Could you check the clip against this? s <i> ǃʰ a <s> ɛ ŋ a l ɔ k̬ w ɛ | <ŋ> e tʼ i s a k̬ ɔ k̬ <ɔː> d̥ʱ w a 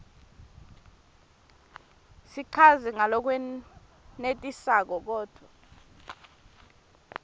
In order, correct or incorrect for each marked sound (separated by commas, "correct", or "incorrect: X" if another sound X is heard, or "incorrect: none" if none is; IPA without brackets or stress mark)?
correct, incorrect: z, incorrect: n, correct